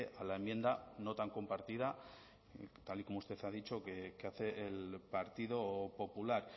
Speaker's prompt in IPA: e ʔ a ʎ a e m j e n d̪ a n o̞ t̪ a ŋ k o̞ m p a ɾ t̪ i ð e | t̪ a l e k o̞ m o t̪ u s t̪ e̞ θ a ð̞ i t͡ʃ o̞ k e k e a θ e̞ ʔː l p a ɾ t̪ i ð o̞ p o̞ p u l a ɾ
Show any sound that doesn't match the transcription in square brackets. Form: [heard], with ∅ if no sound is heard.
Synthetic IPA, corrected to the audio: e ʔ a [l] a e m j e n d̪ a n o̞ t̪ a ŋ k o̞ m p a ɾ t̪ i ð [a] | t̪ a l [i] k o̞ m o [∅] u s t̪ e̞ θ a ð̞ i t͡ʃ o̞ k e k e a θ e̞ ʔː l p a ɾ t̪ i ð o̞ p o̞ p u l a ɾ

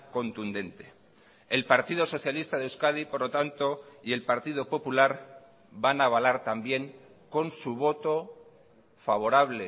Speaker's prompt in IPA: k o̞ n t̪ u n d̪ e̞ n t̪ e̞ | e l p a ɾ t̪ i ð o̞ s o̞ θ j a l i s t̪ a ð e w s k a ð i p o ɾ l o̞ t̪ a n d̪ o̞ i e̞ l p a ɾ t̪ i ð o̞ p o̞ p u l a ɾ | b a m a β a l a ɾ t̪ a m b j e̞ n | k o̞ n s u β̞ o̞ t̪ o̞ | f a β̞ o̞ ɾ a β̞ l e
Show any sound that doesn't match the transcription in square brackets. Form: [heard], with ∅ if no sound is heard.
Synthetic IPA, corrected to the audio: k o̞ n t̪ u n d̪ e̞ n t̪ e̞ | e l p a ɾ t̪ i ð o̞ s o̞ θ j a l i s t̪ a ð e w s k a ð i p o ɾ l o̞ t̪ a n [t̪] o̞ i e̞ l p a ɾ t̪ i ð o̞ p o̞ p u l a ɾ | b a [n] a β a l a ɾ t̪ a m b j e̞ [ŋ] | k o̞ n s u β̞ o̞ t̪ o̞ | f a β̞ o̞ ɾ a β̞ l e

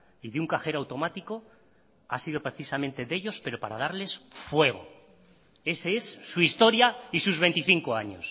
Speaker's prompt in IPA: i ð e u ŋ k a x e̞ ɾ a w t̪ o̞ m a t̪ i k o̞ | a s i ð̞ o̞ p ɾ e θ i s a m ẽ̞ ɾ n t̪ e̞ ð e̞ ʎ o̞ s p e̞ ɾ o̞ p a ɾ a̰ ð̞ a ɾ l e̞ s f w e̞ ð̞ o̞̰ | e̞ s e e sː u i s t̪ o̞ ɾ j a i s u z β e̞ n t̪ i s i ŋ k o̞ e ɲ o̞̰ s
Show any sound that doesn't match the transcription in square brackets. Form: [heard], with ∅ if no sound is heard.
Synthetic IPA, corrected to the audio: i ð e u ŋ k a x e̞ ɾ a w t̪ o̞ m a t̪ i k o̞ | a s i ð̞ o̞ p ɾ e θ i s a m ẽ̞ [∅] n t̪ e̞ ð e̞ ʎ o̞ s p e̞ ɾ o̞ p a ɾ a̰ ð̞ a ɾ l e̞ s f w e̞ [ɣ̞] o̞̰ | e̞ s e e sː u i s t̪ o̞ ɾ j a i s u z β e̞ n t̪ i [θ] i ŋ k o̞ [a] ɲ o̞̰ s

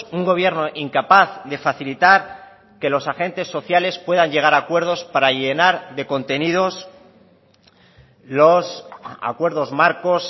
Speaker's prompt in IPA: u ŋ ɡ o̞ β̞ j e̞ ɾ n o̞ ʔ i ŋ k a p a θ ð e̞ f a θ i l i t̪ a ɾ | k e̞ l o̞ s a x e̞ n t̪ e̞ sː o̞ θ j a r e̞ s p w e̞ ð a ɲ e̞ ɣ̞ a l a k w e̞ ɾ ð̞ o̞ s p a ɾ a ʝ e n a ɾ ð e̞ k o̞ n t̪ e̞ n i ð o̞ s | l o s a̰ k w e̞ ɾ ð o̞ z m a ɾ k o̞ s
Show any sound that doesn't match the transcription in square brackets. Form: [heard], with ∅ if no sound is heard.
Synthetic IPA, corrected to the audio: u ŋ ɡ o̞ β̞ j e̞ ɾ n o̞ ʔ i ŋ k a p a θ ð e̞ f a θ i l i t̪ a ɾ | k e̞ l o̞ s a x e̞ n t̪ e̞ sː o̞ θ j a [l] e̞ s p w e̞ ð a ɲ e̞ ɣ̞ a [ɾ] a k w e̞ ɾ ð̞ o̞ s p a ɾ a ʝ e n a ɾ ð e̞ k o̞ n t̪ e̞ n i ð o̞ s | l o s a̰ k w e̞ ɾ ð o̞ z m a ɾ k o̞ s

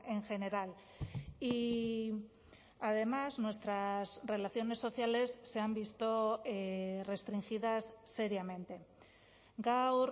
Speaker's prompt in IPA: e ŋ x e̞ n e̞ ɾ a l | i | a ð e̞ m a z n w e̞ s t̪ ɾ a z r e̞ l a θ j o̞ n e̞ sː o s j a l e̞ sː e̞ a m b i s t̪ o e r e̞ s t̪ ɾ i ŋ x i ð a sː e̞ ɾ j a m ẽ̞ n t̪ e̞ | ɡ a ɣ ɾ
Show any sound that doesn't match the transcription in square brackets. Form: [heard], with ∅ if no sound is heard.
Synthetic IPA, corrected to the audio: e ŋ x e̞ n e̞ ɾ a l | i | a ð e̞ m a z n w e̞ s t̪ ɾ a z r e̞ l a θ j o̞ n e̞ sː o [θ] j a l e̞ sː e̞ a m b i s t̪ o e r e̞ s t̪ ɾ i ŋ x i ð a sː e̞ ɾ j a m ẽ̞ n t̪ e̞ | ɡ a [w] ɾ

